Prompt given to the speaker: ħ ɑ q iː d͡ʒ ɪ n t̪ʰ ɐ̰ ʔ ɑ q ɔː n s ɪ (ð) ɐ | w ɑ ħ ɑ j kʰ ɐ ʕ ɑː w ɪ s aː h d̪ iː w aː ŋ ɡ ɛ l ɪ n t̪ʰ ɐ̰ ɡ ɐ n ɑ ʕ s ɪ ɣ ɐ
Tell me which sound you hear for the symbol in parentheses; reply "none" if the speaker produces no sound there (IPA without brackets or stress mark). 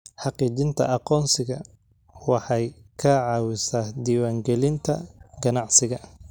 ɣ